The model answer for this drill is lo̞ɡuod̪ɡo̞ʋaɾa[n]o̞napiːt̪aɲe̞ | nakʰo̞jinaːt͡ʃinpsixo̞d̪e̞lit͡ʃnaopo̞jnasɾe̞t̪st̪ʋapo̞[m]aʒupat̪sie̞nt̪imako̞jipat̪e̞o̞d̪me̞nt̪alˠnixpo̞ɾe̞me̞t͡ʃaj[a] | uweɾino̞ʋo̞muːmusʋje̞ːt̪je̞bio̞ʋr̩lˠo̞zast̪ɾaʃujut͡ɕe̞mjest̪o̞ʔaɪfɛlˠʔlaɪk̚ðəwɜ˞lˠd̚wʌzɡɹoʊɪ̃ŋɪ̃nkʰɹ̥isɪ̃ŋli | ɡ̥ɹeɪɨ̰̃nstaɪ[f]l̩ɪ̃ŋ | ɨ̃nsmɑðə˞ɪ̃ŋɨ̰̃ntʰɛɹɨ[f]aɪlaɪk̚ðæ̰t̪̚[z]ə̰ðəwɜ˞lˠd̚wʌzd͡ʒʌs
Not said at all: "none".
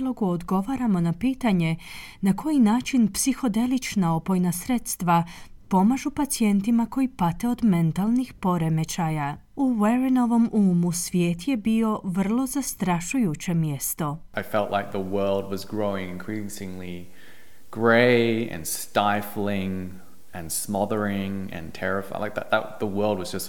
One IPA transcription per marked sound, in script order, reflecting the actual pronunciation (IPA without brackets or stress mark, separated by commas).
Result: m, m, a, f, f, ð